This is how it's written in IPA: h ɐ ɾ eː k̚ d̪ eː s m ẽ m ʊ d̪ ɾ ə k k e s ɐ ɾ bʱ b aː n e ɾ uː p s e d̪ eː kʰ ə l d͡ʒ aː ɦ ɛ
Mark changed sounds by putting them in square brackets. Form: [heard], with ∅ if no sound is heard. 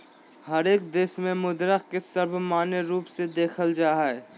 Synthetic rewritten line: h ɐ ɾ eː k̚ d̪ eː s m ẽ m ʊ d̪ ɾ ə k k e s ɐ ɾ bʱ [m] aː n e ɾ uː p s e d̪ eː kʰ ə l d͡ʒ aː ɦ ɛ